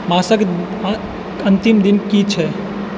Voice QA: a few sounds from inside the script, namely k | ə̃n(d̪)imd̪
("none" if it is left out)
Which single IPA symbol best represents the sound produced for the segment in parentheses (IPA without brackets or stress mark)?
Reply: t̪